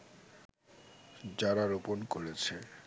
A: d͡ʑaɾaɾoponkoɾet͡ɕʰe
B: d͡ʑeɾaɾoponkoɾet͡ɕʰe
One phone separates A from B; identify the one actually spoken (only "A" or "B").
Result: A